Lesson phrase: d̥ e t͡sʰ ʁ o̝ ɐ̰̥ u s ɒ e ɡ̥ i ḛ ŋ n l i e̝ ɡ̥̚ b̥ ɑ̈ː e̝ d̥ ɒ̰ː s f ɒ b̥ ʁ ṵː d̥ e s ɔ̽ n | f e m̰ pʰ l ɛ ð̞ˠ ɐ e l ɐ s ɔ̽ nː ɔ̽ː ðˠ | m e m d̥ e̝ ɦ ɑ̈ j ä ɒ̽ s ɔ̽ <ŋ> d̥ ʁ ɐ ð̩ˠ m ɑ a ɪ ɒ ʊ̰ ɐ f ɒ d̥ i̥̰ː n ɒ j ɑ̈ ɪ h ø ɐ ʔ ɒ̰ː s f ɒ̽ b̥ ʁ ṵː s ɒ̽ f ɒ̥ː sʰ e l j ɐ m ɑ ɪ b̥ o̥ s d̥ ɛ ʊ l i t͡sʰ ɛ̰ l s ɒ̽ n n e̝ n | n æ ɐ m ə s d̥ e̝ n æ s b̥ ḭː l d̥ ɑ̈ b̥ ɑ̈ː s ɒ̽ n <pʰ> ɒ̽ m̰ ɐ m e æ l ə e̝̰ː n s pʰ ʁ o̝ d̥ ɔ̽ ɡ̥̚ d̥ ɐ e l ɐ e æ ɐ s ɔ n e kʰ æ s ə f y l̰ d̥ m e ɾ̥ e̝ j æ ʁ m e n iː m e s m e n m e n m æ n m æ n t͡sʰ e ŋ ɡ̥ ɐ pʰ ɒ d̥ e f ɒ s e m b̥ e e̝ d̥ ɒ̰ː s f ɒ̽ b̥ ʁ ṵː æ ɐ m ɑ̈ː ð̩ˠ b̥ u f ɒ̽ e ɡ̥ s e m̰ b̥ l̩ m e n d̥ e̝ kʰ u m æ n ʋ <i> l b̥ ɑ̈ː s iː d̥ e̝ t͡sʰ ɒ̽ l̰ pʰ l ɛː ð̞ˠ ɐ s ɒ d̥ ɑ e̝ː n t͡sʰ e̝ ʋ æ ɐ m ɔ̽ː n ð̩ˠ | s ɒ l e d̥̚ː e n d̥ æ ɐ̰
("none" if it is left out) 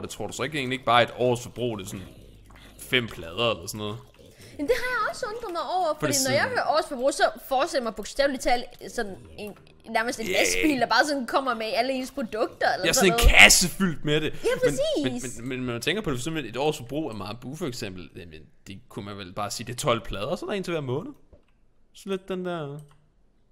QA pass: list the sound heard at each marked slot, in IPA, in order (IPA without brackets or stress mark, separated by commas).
n, kʰ, e